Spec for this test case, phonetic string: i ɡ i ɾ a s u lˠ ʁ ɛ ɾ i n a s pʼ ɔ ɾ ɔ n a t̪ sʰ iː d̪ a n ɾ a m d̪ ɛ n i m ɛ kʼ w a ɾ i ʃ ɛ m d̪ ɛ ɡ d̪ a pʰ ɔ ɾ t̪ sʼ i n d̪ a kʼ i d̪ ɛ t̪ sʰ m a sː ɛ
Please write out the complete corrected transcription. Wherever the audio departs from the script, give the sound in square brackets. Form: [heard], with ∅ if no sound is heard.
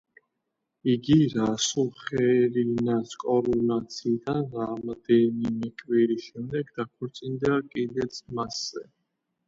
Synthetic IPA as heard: i ɡ i ɾ a s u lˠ [χ] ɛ ɾ i n a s [kʼ] ɔ ɾ ɔ n a t̪ sʰ iː d̪ a n ɾ a m d̪ ɛ n i m ɛ kʼ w [i] ɾ i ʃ ɛ m d̪ ɛ ɡ d̪ a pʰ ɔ ɾ t̪ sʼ i n d̪ a kʼ i d̪ ɛ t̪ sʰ m a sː ɛ